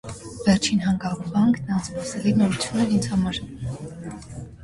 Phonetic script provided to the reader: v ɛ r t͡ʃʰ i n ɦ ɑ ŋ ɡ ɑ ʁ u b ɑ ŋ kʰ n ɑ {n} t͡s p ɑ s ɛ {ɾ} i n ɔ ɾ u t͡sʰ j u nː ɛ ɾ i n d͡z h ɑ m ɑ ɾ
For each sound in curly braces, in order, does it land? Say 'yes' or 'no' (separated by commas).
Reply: yes, no